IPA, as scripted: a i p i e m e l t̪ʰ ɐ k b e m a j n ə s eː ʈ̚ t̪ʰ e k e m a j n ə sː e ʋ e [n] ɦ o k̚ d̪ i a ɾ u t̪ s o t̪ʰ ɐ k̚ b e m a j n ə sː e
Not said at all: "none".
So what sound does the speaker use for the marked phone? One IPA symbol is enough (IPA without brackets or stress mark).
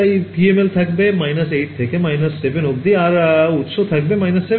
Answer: n